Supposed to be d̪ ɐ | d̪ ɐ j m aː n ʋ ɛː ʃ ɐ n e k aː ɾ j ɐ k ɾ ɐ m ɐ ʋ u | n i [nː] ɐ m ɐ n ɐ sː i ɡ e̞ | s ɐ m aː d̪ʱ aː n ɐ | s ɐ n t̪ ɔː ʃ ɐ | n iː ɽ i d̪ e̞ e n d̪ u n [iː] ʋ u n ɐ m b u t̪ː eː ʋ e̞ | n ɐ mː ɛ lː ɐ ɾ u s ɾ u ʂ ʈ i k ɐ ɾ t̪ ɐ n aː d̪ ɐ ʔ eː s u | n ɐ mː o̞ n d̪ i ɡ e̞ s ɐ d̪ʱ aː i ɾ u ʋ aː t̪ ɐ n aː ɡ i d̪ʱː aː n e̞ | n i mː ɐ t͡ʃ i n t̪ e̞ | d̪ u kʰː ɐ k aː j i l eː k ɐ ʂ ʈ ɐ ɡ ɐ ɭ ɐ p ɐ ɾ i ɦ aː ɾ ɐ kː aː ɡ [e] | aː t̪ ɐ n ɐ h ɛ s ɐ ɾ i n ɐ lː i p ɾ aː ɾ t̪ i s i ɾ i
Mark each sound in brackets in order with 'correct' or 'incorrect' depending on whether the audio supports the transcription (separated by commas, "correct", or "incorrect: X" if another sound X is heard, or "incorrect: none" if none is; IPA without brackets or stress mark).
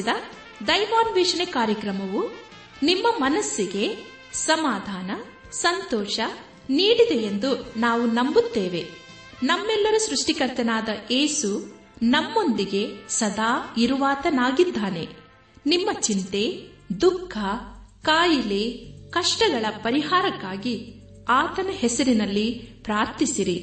incorrect: mː, incorrect: aː, incorrect: i